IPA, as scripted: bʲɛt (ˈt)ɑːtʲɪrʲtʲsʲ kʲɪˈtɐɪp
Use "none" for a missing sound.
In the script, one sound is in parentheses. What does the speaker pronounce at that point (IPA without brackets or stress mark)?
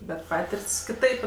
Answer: p